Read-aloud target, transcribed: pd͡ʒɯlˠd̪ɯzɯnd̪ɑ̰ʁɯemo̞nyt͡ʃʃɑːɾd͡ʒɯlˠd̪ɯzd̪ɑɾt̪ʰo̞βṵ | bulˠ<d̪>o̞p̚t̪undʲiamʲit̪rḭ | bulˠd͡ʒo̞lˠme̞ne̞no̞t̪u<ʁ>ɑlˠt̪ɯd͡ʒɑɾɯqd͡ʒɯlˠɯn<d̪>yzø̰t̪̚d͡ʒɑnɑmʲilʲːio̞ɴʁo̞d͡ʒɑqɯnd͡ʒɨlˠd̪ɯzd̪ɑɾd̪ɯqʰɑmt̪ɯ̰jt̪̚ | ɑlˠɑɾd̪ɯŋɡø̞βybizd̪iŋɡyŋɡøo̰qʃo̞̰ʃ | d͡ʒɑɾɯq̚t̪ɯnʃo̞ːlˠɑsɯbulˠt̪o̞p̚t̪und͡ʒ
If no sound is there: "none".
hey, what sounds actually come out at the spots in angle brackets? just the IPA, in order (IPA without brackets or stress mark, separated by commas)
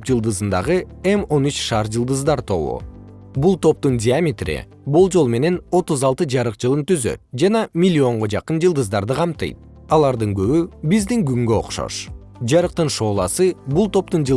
t̪, z, t̪